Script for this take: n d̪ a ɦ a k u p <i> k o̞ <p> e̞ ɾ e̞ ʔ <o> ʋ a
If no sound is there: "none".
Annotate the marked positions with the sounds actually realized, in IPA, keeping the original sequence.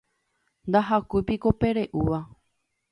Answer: i, p, u

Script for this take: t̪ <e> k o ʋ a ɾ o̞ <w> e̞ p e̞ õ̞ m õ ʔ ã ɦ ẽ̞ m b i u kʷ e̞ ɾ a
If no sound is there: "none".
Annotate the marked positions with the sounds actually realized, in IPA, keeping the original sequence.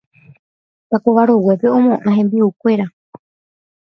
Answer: a, w

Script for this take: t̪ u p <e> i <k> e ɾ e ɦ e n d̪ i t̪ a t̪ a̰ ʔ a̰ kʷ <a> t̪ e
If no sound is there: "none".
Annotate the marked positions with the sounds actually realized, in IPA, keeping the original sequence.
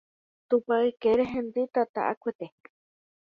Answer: a, k, e

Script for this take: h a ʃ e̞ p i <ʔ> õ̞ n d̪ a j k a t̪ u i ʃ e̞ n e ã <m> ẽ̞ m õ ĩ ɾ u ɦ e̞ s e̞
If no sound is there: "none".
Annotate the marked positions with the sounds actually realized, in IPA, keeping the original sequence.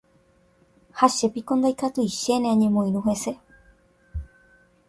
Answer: k, ɲ

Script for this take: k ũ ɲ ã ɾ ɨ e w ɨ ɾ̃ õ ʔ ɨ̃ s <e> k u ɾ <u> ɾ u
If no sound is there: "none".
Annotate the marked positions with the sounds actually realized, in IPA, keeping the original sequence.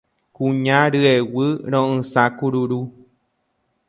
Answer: a, u

